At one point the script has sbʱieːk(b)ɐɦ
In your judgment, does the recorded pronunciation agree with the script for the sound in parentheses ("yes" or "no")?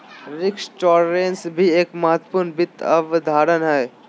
no